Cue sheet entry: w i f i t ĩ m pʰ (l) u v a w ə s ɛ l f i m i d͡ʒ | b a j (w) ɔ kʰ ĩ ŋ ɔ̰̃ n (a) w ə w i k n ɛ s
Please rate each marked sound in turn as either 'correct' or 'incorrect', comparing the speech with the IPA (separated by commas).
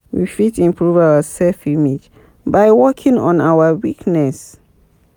incorrect, correct, correct